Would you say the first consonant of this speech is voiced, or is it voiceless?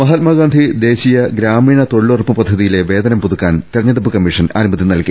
voiced